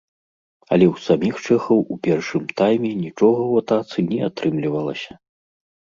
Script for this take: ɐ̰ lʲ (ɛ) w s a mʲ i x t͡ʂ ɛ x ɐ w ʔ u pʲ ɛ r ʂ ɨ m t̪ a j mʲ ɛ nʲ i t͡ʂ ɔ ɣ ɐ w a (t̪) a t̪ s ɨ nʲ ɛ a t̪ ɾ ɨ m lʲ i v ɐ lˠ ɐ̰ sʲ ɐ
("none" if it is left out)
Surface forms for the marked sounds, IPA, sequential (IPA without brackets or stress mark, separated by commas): ɛ, t̪